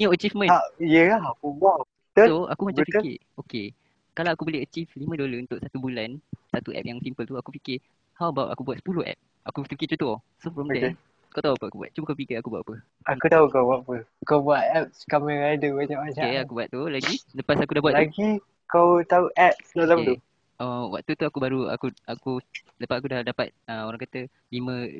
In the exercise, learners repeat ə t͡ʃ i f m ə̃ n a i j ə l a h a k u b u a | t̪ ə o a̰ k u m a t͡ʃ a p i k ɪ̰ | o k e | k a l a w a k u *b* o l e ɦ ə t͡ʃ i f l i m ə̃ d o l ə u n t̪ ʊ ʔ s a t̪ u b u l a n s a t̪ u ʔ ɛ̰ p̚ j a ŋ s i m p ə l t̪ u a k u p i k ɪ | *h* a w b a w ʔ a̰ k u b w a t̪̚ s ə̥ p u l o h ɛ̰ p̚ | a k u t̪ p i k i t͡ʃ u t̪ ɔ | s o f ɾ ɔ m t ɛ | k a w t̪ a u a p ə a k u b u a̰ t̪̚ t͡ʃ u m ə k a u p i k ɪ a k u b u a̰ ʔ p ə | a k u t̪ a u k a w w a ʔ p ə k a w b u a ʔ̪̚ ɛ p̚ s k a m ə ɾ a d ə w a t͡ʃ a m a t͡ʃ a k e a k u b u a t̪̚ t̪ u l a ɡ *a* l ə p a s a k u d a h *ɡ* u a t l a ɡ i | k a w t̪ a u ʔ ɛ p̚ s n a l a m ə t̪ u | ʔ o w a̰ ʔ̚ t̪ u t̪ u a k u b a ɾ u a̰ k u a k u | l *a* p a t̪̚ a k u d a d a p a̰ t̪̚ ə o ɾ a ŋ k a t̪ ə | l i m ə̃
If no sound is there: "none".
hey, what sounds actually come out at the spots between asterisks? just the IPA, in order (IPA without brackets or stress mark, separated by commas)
b, h, i, b, ə